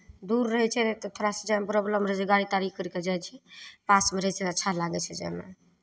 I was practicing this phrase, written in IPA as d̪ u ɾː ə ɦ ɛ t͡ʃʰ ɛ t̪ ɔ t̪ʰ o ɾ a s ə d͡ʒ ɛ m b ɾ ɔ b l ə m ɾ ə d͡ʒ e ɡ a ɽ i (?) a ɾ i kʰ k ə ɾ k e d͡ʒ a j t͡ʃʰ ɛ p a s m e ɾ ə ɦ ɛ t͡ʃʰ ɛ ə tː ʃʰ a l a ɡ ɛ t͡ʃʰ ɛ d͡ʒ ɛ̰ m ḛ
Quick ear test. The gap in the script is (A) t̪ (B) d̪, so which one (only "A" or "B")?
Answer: A